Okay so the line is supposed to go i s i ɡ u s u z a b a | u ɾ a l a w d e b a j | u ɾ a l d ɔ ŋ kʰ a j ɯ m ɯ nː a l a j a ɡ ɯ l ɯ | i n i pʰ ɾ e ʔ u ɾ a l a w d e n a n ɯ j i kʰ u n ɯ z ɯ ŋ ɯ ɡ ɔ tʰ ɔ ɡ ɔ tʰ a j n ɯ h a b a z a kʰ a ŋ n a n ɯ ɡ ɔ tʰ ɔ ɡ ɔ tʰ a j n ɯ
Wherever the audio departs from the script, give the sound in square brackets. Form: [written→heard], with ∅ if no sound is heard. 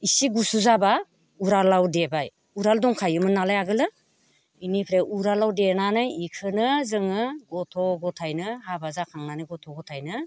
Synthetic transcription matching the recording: i s i ɡ u s u z a b a | u ɾ a l a w d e b a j | u ɾ a l d ɔ ŋ kʰ a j ɯ m ɯ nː a l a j a ɡ ɯ l ɯ | i n i pʰ ɾ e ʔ u ɾ a l a w d e n a n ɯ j i kʰ [u→ɯ] n ɯ z ɯ ŋ ɯ ɡ ɔ tʰ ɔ ɡ ɔ tʰ a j n ɯ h a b a z a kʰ a ŋ n a n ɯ ɡ ɔ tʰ ɔ ɡ ɔ tʰ a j n ɯ